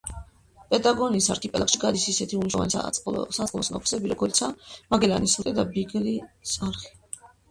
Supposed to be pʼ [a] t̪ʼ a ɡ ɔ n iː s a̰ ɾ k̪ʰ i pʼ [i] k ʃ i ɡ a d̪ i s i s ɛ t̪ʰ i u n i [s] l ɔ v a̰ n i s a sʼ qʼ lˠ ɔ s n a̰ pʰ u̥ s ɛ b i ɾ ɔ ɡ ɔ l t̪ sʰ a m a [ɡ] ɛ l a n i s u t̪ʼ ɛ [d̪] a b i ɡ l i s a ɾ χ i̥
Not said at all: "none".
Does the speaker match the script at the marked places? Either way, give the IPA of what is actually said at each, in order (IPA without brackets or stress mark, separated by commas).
ɛ, ɛ, ʃ, ɡ, d̪